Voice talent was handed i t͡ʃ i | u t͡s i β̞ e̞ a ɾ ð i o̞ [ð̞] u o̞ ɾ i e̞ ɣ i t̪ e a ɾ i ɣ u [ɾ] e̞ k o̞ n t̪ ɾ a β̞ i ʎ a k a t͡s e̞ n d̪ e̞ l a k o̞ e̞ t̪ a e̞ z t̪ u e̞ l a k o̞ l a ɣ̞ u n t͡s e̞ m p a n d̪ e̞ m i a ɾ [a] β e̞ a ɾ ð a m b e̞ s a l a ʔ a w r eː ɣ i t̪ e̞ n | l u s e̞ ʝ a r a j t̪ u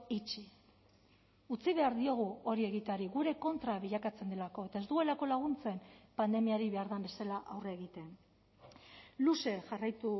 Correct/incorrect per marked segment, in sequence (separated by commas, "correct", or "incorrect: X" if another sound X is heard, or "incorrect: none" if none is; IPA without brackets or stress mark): incorrect: ɣ̞, correct, incorrect: i